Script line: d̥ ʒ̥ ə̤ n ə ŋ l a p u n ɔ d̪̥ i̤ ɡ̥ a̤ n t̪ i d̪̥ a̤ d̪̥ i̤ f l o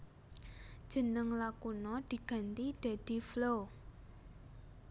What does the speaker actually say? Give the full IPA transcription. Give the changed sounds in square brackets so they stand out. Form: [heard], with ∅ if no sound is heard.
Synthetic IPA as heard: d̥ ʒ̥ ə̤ n ə ŋ l a [k] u n ɔ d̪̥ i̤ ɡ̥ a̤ n t̪ i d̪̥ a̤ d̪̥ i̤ f l o